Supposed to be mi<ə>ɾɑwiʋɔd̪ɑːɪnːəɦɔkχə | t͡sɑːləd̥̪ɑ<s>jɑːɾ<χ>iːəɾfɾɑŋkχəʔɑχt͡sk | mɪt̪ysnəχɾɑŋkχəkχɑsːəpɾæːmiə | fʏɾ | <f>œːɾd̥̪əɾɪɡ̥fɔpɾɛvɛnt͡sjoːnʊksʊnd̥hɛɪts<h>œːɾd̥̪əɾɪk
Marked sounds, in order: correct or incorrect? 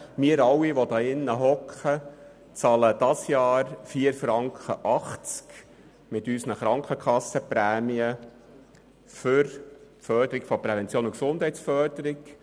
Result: correct, correct, incorrect: f, correct, incorrect: f

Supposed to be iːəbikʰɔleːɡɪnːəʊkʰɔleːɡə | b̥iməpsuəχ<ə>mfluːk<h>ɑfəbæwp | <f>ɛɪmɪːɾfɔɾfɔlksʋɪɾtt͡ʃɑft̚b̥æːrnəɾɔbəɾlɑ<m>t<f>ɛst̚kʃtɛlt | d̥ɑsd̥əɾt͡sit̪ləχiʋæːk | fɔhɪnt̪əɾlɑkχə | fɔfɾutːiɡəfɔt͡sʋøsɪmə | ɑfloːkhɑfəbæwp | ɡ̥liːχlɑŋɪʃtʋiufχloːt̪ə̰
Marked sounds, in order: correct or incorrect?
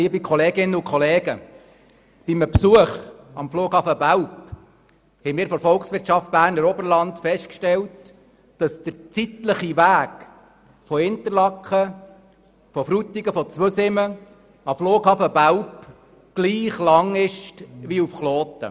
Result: incorrect: ɑ, correct, incorrect: h, incorrect: n, correct

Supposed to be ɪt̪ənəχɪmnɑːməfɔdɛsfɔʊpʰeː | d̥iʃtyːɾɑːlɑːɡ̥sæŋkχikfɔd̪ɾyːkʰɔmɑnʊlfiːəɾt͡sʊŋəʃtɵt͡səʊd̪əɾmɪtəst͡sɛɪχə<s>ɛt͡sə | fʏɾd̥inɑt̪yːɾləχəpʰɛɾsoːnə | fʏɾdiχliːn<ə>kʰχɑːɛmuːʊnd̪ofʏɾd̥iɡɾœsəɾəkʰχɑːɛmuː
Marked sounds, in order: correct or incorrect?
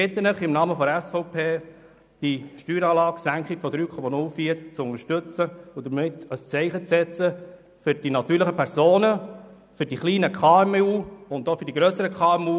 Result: incorrect: t͡s, correct

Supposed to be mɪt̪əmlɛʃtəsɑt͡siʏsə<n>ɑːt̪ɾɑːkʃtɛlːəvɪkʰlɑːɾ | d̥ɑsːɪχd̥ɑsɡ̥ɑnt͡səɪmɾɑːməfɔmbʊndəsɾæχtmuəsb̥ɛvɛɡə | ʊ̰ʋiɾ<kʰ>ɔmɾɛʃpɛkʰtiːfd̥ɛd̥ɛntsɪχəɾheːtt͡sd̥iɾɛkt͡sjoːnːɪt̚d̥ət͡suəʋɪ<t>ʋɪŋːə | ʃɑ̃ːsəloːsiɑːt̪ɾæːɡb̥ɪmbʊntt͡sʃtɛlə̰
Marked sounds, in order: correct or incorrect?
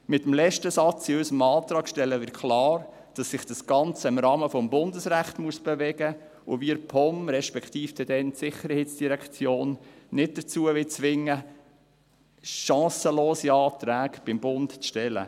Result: incorrect: m, incorrect: pʰ, incorrect: t͡s

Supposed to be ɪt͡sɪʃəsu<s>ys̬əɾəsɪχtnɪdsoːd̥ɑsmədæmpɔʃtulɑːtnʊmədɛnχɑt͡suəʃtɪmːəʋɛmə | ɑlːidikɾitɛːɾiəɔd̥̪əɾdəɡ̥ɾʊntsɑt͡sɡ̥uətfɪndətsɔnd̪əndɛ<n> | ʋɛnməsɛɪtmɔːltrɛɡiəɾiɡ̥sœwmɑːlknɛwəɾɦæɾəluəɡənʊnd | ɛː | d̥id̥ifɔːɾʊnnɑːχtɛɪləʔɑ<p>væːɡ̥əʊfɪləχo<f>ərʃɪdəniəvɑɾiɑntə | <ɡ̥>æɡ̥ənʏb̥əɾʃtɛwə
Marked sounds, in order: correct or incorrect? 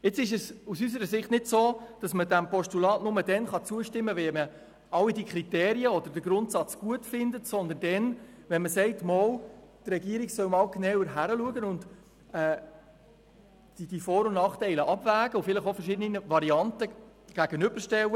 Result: correct, correct, incorrect: b, correct, correct

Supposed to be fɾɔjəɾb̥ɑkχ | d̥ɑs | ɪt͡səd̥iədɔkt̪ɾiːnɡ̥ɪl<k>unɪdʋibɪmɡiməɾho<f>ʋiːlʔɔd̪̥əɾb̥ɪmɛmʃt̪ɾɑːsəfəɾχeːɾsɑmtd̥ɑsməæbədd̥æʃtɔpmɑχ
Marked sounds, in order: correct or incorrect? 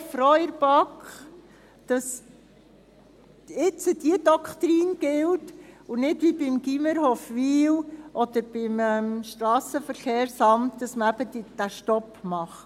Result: incorrect: t, correct

